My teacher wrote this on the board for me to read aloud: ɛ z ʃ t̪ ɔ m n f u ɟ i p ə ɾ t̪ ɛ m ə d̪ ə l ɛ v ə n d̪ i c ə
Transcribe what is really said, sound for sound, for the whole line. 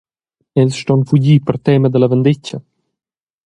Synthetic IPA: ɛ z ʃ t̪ ɔ n f u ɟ i p ə ɾ t̪ ɛ m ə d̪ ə l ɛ v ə n d̪ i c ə